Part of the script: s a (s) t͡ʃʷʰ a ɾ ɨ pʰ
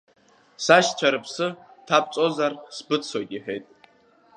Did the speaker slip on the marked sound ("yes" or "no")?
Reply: yes